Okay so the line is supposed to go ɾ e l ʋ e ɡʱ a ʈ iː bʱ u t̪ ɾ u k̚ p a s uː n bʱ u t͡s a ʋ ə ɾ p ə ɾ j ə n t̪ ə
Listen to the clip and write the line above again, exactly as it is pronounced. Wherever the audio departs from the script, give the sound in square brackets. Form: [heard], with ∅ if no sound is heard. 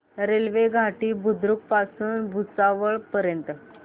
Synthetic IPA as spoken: ɾ e l ʋ e ɡʱ a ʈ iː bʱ u [d̪] ɾ u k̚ p a s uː n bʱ u t͡s a ʋ ə [ɭ] p ə ɾ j ə n t̪ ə